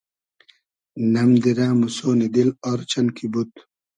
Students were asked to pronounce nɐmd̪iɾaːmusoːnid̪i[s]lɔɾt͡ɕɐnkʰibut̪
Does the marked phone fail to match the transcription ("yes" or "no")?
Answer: yes